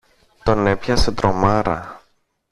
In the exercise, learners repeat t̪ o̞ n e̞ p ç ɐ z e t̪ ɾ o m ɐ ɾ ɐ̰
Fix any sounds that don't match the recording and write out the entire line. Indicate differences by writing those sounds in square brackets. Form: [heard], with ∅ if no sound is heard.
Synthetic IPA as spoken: t̪ o̞ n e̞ p ç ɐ [s] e t̪ ɾ o m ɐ ɾ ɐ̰

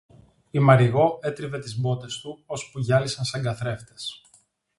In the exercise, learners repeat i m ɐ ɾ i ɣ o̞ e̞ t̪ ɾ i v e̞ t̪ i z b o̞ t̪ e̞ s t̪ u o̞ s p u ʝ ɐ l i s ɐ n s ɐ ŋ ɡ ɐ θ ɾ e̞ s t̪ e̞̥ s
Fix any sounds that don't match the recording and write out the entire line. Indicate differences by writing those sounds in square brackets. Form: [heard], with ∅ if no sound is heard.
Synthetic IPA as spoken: i m ɐ ɾ i ɣ o̞ e̞ t̪ ɾ i v e̞ t̪ i z b o̞ t̪ e̞ s t̪ u o̞ s p u ʝ ɐ l i s ɐ n s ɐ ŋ ɡ ɐ θ ɾ e̞ [f] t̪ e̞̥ s

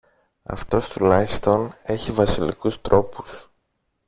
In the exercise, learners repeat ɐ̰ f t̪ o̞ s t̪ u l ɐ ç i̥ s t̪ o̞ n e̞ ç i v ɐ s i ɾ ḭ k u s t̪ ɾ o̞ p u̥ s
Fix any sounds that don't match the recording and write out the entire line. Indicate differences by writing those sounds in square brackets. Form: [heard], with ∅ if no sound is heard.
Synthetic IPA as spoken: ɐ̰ f t̪ o̞ s t̪ u l ɐ ç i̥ s t̪ o̞ n e̞ ç i v ɐ s i [l] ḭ k u s t̪ ɾ o̞ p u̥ s

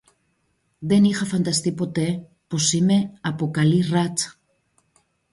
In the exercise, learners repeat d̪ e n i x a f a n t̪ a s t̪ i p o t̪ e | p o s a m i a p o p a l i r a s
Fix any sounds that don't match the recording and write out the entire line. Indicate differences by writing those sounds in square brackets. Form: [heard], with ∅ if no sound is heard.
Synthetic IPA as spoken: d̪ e n i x a f a n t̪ a s t̪ i p o t̪ e | p o s [i] m [e] a p o [k] a l i r a [t͡s]

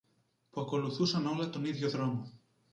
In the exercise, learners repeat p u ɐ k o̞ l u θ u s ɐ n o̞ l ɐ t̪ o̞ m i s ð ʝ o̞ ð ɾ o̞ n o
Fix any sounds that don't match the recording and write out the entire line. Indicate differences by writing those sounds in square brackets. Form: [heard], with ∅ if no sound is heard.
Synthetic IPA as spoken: p u ɐ k o̞ l u θ u s ɐ n o̞ l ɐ t̪ o̞ [n] i [∅] ð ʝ o̞ ð ɾ o̞ [m] o

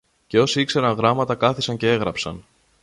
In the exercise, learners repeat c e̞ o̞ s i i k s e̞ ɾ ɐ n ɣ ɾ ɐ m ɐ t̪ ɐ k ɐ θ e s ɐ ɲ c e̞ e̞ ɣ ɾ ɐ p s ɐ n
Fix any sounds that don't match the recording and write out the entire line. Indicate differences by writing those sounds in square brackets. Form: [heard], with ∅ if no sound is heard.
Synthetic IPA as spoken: c e̞ o̞ s i i k s e̞ ɾ ɐ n ɣ ɾ ɐ m ɐ t̪ ɐ k ɐ θ [i] s ɐ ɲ c e̞ e̞ ɣ ɾ ɐ p s ɐ n

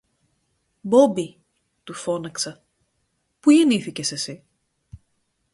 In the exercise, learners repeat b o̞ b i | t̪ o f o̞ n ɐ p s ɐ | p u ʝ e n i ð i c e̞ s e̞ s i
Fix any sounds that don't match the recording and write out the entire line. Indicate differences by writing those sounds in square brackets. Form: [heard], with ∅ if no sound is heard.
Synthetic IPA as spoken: b o̞ b i | t̪ [u] f o̞ n ɐ [k] s ɐ | p u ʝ e n i [θ] i c e̞ s e̞ s i

